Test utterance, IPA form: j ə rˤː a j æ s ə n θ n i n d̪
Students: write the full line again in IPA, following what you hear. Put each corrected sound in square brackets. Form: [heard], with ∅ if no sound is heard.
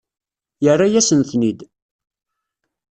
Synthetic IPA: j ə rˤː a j æ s ə n θ n i [∅] d̪